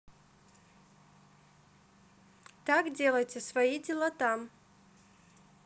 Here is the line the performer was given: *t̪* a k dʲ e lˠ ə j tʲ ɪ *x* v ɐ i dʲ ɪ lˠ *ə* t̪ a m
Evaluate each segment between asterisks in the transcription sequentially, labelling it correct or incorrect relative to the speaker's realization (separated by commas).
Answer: correct, incorrect, incorrect